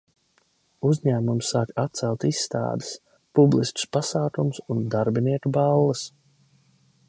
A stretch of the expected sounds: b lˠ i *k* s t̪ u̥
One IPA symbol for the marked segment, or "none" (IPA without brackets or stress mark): none